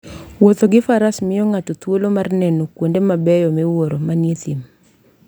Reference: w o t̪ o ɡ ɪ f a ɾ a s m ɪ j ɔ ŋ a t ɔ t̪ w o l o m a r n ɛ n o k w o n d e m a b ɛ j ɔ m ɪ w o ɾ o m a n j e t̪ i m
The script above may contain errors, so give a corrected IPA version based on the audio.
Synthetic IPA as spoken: w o t̪ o ɡ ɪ f a ɾ a s m ɪ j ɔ ŋ a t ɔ t̪ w o l o m a r n ɛ n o k w o n d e m a b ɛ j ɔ m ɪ w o ɾ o m a n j e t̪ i m